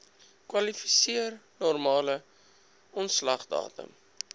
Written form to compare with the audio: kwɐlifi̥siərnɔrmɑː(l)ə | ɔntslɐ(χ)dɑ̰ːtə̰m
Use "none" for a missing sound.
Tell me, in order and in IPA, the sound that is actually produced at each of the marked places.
l, χ

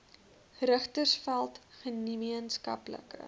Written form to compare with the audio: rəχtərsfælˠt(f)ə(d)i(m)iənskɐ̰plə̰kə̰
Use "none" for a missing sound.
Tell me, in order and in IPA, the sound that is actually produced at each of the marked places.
χ, n, m

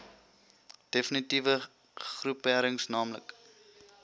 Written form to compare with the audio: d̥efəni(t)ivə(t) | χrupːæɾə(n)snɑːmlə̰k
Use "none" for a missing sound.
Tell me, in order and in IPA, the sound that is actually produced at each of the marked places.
t, none, ŋ

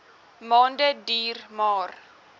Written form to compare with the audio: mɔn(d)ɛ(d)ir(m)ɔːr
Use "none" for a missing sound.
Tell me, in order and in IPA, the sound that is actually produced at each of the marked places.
d, d, m

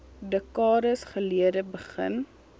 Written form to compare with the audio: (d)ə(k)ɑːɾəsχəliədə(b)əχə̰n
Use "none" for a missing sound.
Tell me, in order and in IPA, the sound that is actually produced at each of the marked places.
d, k, b

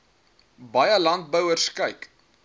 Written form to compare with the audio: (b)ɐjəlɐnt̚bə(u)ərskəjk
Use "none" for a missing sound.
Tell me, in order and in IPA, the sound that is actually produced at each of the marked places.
b, w

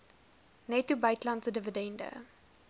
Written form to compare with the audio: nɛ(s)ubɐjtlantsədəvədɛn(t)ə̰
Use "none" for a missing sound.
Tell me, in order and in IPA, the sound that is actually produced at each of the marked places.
t, d

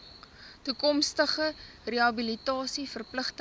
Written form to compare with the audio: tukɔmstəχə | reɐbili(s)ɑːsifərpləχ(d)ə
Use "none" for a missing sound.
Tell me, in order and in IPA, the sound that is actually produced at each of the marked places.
t, t

